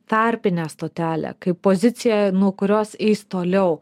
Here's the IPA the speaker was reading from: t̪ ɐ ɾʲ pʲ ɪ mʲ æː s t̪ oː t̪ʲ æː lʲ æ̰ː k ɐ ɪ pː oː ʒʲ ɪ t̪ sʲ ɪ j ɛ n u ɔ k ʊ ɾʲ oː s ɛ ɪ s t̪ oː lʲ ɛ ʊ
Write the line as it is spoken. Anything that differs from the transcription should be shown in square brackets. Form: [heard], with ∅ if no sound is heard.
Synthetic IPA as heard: t̪ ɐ ɾʲ pʲ ɪ [nʲ] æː s t̪ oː t̪ʲ æː lʲ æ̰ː k ɐ ɪ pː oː [zʲ] ɪ t̪ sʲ ɪ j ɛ n u ɔ k ʊ ɾʲ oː s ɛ ɪ s t̪ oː lʲ ɛ ʊ